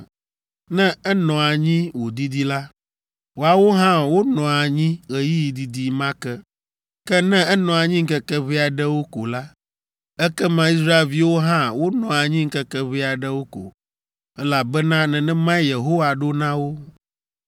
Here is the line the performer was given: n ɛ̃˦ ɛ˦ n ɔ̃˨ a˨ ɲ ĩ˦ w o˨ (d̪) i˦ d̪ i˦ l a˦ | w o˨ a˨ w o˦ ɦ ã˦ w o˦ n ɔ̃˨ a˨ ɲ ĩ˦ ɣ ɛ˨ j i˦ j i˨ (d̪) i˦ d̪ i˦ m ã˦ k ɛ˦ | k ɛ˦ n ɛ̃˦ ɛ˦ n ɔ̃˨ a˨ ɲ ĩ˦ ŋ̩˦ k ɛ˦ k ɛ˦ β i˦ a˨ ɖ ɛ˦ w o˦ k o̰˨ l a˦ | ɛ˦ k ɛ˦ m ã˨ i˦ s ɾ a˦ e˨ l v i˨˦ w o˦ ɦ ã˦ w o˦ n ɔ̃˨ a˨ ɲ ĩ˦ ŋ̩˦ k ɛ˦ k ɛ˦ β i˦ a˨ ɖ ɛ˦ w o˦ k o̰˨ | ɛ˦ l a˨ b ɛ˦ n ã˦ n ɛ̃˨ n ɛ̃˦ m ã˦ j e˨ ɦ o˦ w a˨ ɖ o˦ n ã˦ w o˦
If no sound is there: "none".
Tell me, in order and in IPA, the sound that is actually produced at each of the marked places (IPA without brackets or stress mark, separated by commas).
d̪, d̪